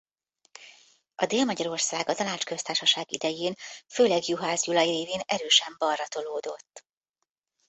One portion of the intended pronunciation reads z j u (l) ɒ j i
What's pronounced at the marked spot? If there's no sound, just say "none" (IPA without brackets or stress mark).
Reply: l